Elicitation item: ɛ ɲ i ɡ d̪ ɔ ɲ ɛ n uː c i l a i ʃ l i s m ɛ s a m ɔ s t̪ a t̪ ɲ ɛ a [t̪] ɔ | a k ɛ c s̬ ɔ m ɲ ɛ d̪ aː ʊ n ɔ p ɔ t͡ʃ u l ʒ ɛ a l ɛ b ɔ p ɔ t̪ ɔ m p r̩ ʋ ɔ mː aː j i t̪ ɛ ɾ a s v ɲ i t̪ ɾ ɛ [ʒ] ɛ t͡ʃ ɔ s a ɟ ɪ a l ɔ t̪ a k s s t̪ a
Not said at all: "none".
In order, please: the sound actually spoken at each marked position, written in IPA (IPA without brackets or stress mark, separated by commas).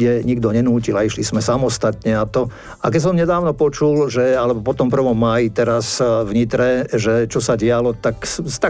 t̪, ʒ